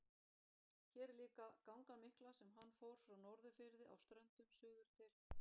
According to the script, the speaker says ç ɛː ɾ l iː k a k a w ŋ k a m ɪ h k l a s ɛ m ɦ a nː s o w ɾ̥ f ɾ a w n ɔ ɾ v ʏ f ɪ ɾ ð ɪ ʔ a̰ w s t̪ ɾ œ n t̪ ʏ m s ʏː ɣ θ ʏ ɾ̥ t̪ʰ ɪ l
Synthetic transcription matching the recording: ç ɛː ɾ l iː k a k a w ŋ k a m ɪ h k l a s ɛ m ɦ a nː f o w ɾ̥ f ɾ a w n ɔ ɾ ð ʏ f ɪ ɾ ð ɪ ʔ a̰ w s t̪ ɾ œ n t̪ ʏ m s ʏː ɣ ð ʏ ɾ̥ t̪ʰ ɪ l